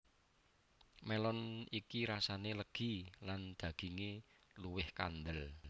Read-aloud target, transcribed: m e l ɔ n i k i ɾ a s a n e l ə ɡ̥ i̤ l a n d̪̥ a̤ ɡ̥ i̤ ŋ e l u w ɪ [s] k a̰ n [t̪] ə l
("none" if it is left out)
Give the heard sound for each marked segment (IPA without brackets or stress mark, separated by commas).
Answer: h, d̪